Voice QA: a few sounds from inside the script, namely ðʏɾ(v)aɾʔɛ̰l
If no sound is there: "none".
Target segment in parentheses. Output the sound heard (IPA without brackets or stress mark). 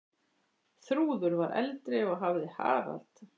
v